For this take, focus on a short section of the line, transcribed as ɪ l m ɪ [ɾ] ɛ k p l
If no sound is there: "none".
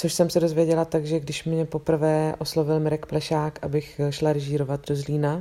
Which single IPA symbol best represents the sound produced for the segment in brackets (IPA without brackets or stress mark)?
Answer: ɾ